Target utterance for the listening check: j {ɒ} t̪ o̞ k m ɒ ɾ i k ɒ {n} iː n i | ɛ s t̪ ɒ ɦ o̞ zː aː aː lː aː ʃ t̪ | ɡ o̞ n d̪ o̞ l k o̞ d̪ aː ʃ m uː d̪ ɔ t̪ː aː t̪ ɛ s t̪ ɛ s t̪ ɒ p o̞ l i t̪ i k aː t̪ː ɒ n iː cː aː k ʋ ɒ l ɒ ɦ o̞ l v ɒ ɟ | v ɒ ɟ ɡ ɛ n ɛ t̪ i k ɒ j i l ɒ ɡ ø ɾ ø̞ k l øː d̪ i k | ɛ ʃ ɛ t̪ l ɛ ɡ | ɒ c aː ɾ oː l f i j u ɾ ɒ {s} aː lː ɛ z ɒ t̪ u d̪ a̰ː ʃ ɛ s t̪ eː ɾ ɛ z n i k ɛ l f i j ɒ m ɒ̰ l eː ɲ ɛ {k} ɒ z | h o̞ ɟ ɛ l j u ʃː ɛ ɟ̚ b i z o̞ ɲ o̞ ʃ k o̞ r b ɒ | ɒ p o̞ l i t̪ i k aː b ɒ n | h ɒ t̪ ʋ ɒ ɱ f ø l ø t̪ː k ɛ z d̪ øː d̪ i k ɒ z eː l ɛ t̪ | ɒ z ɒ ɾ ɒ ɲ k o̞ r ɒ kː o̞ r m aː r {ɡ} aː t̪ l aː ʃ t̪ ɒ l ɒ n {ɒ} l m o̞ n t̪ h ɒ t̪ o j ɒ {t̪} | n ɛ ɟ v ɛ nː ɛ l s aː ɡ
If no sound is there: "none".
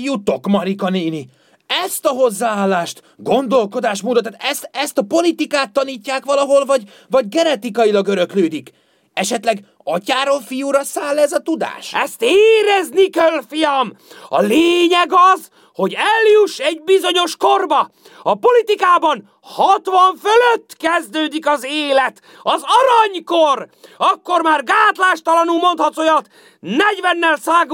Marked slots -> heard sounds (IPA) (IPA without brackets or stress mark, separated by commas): u, n, s, ɡ, ɡ, u, t̪